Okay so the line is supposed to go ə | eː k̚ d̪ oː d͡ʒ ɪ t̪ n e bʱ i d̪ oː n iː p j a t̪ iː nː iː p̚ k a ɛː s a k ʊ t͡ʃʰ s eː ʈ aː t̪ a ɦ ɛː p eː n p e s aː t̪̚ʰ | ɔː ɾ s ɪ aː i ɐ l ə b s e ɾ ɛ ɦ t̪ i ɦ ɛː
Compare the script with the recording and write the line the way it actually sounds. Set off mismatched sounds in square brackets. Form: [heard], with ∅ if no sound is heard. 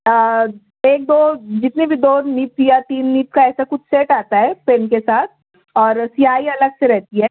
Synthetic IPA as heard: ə | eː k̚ d̪ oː d͡ʒ ɪ t̪ n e bʱ i d̪ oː n iː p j a t̪ iː nː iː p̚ k a ɛː s a k ʊ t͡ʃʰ s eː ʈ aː t̪ a ɦ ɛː p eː n [k] e s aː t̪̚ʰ | ɔː ɾ s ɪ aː i ɐ l ə [ɡ] s e ɾ ɛ ɦ t̪ i ɦ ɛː